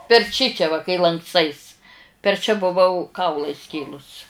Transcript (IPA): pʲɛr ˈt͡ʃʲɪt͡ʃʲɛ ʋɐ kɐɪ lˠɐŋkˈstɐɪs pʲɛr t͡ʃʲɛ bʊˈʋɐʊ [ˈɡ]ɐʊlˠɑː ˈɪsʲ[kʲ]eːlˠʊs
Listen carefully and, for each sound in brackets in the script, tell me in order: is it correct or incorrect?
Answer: incorrect: k, correct

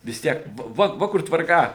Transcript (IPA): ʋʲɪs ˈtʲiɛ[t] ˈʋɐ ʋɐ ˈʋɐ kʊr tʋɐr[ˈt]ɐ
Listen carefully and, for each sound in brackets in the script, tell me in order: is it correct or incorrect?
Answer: incorrect: k, incorrect: k

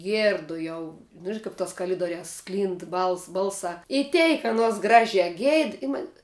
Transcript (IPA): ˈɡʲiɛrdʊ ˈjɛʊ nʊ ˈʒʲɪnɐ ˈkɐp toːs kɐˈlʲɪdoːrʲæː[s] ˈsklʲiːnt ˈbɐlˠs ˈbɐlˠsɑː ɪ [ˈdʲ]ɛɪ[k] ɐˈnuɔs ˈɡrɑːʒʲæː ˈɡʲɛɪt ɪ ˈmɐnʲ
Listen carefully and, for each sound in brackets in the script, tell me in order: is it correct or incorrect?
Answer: correct, incorrect: tʲ, correct

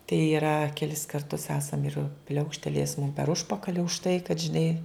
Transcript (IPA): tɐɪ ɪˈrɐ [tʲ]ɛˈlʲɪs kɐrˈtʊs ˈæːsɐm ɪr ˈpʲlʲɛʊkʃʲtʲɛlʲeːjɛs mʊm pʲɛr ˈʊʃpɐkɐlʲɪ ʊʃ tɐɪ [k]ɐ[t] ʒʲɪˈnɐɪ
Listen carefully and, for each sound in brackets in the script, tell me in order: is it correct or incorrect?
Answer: incorrect: kʲ, correct, correct

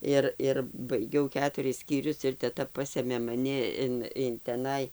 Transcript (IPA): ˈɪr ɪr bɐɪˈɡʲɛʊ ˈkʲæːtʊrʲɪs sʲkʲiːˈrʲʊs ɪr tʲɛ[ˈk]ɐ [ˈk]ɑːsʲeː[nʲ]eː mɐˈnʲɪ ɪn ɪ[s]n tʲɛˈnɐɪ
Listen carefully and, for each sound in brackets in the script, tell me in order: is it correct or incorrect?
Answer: incorrect: t, incorrect: p, incorrect: mʲ, incorrect: none

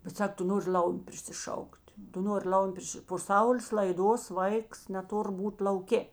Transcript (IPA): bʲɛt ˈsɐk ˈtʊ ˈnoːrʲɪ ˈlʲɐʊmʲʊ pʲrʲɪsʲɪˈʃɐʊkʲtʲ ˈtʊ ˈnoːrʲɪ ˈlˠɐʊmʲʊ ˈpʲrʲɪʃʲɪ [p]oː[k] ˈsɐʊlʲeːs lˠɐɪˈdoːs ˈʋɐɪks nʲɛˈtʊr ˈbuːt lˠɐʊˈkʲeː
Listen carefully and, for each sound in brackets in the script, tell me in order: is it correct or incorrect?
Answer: correct, incorrect: none

